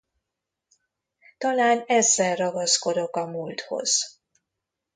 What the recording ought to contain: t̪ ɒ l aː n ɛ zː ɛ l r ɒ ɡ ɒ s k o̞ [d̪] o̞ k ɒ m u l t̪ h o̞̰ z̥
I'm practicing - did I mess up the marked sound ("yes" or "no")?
no